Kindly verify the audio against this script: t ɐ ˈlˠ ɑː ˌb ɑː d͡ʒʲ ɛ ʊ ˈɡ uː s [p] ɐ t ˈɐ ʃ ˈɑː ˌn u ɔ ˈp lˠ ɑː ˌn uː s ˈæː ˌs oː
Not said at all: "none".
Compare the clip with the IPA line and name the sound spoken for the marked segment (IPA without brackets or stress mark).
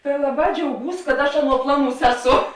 k